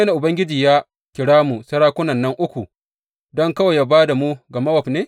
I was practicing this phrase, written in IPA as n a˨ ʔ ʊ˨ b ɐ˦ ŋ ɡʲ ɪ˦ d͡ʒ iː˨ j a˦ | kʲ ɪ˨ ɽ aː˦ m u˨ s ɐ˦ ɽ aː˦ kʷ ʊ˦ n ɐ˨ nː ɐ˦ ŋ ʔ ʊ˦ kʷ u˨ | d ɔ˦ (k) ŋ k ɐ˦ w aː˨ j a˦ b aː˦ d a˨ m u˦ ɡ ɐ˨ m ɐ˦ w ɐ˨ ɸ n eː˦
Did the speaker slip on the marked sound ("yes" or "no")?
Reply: yes